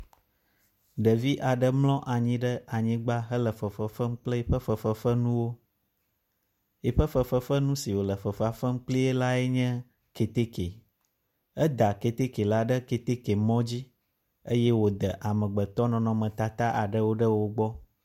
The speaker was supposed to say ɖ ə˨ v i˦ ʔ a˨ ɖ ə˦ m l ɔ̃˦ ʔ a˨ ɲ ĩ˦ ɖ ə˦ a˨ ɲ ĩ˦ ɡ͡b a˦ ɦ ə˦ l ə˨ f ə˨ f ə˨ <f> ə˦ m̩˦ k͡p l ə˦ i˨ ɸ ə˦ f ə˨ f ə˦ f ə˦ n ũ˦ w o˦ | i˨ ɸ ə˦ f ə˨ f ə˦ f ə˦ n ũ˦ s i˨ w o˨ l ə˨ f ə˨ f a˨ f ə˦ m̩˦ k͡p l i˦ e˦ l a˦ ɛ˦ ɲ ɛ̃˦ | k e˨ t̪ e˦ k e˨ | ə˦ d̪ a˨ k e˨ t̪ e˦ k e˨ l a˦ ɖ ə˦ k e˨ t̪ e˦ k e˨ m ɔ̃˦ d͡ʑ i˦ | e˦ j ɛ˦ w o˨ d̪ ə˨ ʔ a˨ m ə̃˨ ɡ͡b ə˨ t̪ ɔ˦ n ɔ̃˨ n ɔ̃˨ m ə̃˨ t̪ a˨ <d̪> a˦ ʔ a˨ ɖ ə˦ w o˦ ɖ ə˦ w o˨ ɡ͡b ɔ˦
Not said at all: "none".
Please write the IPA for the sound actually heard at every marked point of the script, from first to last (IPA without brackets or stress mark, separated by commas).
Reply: f, t̪